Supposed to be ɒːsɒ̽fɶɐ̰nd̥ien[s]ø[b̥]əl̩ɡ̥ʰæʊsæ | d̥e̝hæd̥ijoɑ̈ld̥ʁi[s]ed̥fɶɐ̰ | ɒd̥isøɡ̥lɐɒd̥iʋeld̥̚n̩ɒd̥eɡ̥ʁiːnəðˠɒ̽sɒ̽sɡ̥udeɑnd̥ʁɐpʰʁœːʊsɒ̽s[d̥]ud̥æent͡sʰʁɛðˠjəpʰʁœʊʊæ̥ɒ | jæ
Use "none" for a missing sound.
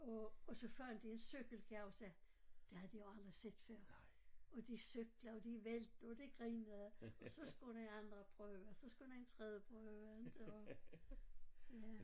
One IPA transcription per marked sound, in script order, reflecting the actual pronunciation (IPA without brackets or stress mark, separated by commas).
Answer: s, ɡ̥, s, ɡ̥